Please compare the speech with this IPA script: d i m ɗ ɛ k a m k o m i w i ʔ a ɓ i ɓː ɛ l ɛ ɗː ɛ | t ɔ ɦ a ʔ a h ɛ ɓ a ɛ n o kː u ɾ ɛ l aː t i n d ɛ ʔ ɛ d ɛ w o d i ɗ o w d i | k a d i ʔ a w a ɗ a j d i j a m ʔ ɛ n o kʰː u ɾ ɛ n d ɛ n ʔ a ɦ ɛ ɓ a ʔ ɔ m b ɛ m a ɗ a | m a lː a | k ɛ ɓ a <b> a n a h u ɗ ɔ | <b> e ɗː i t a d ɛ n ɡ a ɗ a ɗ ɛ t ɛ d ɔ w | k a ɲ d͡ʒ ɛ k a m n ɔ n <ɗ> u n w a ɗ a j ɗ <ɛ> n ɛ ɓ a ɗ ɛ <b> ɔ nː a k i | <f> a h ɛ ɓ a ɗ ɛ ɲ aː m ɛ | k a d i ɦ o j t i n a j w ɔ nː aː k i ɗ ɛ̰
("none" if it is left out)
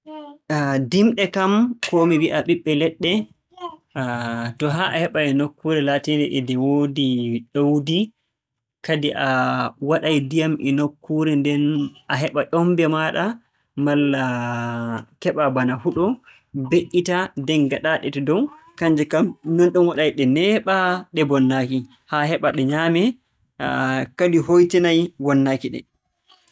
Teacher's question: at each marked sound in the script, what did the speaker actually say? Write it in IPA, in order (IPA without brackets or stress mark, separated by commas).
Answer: b, b, ɗ, ɛ, b, h